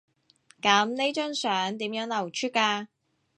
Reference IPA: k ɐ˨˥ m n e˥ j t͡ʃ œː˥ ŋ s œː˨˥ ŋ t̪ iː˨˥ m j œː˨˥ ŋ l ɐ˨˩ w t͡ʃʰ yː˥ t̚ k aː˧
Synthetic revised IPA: k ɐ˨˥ m n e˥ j t͡ʃ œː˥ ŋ s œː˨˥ ŋ t̪ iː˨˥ m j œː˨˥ ŋ l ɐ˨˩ w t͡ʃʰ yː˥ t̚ k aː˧